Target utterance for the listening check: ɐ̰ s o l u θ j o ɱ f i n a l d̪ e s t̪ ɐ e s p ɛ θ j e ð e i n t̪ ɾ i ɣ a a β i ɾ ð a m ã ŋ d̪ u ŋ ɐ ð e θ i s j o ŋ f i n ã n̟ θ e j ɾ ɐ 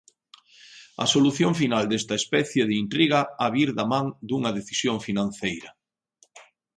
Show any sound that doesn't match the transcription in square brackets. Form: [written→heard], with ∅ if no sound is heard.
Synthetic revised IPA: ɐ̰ s o l u θ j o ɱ f i n a l d̪ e s t̪ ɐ e s p ɛ θ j e ð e i n t̪ ɾ i ɣ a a β i ɾ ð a m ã ŋ d̪ u ŋ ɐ ð e θ i s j o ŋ f i n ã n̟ θ e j ɾ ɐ